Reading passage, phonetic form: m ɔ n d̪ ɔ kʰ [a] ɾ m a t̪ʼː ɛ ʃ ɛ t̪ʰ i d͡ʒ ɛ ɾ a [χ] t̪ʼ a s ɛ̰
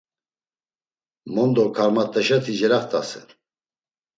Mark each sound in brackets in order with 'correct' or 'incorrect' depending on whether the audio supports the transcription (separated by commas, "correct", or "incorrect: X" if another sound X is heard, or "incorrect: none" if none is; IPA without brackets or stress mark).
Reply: correct, correct